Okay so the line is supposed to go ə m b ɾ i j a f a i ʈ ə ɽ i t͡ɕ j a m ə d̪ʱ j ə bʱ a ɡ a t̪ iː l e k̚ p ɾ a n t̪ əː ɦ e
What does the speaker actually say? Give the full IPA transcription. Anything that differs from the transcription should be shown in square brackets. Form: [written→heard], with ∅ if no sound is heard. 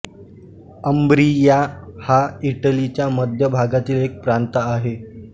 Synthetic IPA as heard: ə m b ɾ i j a [f→h] a i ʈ ə [ɽ→l] i t͡ɕ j a m ə d̪ʱ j ə bʱ a ɡ a t̪ iː l e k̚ p ɾ a n t̪ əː ɦ e